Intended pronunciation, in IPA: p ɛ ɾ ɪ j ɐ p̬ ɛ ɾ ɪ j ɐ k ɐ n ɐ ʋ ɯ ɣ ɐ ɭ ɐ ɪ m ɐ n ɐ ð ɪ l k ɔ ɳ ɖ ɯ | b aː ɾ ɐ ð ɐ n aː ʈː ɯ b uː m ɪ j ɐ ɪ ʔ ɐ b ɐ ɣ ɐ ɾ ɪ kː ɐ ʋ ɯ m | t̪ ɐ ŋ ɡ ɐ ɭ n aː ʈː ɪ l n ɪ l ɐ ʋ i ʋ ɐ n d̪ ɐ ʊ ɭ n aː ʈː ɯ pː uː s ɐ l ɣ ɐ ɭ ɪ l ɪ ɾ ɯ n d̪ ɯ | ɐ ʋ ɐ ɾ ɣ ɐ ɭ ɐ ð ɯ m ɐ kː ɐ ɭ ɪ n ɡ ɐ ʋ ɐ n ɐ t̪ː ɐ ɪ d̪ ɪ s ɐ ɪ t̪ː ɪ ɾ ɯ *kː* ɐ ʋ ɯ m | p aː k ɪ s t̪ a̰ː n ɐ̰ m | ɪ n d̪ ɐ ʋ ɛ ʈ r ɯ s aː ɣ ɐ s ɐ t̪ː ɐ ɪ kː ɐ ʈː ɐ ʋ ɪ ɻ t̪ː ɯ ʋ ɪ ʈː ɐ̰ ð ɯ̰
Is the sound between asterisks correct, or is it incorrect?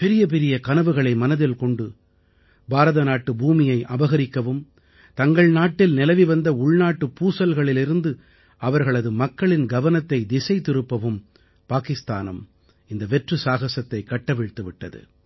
incorrect